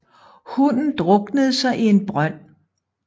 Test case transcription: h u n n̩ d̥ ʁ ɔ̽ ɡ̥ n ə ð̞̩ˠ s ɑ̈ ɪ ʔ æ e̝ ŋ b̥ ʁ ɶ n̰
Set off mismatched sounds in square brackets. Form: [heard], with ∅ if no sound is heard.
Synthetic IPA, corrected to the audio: h u n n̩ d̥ ʁ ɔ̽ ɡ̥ n ə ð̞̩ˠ s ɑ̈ ɪ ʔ [i] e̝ [n] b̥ ʁ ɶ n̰